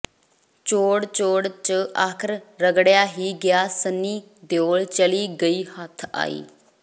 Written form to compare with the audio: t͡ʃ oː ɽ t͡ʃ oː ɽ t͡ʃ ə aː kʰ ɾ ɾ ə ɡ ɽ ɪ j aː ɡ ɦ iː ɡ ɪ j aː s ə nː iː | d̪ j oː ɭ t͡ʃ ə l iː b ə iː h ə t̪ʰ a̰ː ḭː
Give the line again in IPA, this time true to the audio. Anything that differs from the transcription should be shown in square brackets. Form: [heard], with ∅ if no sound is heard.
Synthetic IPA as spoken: t͡ʃ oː ɽ t͡ʃ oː ɽ t͡ʃ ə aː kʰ ɾ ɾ ə ɡ ɽ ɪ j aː [∅] ɦ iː ɡ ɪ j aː s ə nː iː | d̪ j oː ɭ t͡ʃ ə l iː [ɡ] ə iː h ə t̪ʰ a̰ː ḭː